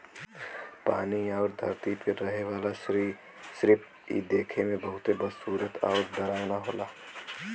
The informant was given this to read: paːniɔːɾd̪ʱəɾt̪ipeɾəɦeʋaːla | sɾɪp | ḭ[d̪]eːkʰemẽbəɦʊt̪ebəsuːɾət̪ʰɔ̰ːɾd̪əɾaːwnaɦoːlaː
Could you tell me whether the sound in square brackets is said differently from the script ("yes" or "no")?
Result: no